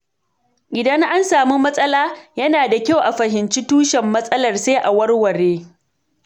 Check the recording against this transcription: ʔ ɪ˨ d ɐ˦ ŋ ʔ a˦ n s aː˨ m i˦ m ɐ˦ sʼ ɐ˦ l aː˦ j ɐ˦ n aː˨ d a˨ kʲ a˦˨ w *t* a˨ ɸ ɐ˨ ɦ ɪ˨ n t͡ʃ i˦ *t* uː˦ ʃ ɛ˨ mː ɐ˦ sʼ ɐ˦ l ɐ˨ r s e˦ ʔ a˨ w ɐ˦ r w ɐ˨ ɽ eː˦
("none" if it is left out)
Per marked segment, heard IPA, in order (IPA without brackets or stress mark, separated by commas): ʔ, t